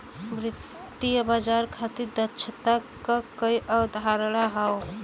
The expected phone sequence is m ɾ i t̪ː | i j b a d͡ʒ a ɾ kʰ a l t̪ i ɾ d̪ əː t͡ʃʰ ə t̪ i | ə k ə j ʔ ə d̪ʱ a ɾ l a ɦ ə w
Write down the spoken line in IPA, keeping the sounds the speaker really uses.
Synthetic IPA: m ɾ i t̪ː | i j b a d͡ʒ a ɾ kʰ a t̪ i ɾ d̪ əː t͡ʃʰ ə t̪ a | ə k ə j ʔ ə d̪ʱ a ɾ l a ɦ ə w